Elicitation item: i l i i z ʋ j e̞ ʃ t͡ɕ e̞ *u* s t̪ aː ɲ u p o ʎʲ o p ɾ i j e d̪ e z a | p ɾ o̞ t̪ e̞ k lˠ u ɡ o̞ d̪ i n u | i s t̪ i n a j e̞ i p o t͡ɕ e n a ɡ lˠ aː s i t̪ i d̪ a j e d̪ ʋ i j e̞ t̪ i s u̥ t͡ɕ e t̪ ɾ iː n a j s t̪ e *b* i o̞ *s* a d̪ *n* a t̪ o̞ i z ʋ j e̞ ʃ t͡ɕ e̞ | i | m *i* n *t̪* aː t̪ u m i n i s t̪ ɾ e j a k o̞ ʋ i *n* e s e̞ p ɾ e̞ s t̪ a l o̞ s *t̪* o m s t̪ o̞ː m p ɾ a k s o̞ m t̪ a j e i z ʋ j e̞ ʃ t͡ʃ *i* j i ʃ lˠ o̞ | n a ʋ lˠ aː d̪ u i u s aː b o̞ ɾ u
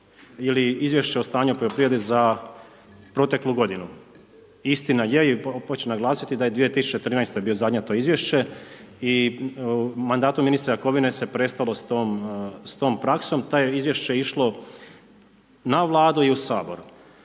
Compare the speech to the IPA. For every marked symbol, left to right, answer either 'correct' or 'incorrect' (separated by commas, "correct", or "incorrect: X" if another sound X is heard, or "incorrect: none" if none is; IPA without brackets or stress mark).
incorrect: o, correct, incorrect: z, incorrect: ɲ, incorrect: a, incorrect: d̪, correct, correct, incorrect: e